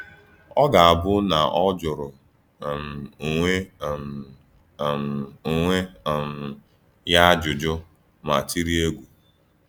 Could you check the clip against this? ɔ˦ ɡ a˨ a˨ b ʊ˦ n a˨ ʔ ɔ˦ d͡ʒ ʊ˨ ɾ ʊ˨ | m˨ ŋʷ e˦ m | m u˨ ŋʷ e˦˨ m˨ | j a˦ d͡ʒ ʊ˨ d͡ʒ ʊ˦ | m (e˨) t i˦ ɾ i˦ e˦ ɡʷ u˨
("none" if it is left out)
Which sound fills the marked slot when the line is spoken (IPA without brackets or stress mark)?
a˨